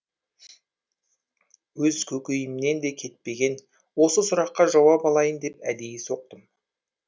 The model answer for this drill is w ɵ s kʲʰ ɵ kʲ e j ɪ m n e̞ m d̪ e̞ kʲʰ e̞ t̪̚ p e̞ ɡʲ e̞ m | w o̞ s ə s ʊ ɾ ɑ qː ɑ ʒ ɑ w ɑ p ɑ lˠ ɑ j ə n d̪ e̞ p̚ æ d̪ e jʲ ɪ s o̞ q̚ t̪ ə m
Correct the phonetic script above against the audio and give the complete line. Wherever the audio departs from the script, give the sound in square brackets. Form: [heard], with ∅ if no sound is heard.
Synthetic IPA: w ɵ [z] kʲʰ ɵ kʲ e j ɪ m n e̞ [n] d̪ e̞ kʲʰ e̞ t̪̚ p e̞ ɡʲ e̞ [n] | w o̞ s ə s ʊ ɾ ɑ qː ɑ ʒ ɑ w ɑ p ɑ lˠ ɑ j ə n d̪ e̞ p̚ æ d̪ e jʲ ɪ s o̞ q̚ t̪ ə m